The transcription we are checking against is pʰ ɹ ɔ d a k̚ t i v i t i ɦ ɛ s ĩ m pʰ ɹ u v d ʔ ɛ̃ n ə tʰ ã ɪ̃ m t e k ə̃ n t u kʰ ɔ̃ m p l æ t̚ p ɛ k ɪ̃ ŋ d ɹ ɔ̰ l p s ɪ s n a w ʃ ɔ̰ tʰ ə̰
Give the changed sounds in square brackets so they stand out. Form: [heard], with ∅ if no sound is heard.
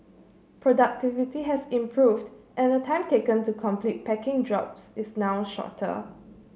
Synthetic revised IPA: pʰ ɹ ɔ d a k̚ t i v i t i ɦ ɛ s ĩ m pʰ ɹ u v d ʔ ɛ̃ n ə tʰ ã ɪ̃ m t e k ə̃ n t u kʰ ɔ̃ m p l [i] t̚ p ɛ k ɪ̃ ŋ d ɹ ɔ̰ [∅] p s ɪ s n a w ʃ ɔ̰ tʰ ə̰